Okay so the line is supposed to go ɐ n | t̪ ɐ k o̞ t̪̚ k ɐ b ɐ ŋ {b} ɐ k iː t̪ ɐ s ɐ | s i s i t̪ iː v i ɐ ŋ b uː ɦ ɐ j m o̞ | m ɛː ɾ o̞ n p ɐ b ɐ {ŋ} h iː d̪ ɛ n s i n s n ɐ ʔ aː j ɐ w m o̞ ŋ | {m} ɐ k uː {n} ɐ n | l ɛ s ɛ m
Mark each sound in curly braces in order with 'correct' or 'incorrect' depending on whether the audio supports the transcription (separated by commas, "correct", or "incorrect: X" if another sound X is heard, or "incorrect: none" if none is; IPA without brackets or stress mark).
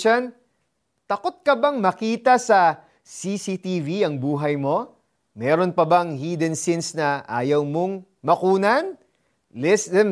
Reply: incorrect: m, correct, correct, correct